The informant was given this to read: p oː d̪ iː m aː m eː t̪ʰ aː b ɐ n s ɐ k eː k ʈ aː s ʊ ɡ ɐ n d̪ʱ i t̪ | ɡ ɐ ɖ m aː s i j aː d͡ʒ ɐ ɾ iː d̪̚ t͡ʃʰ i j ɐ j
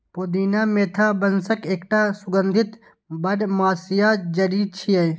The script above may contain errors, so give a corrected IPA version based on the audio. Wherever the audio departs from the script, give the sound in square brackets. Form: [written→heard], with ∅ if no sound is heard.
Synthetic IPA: p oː d̪ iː [m→n] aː m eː t̪ʰ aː b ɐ n s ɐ k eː k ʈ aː s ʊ ɡ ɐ n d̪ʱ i t̪ | [ɡ→b] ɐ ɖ m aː s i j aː d͡ʒ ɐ ɾ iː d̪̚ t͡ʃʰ i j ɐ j